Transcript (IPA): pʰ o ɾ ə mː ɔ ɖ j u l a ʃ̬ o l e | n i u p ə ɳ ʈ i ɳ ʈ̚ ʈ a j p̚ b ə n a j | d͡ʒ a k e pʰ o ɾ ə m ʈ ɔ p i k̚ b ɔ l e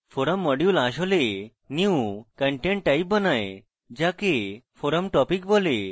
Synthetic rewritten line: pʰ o ɾ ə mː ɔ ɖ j u l a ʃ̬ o l e | n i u k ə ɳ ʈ e ɳ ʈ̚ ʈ a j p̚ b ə n a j | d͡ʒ a k e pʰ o ɾ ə m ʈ ɔ p i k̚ b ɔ l e